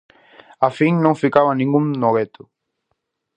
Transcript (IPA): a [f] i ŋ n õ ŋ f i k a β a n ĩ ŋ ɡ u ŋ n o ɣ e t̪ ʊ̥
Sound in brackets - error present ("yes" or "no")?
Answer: no